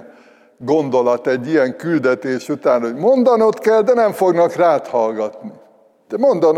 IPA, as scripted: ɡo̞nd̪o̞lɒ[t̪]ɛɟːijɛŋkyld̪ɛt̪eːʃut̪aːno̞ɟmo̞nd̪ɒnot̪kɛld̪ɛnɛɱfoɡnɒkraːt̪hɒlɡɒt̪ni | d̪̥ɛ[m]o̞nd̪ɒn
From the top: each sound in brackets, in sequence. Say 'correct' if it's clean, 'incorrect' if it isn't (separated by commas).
correct, correct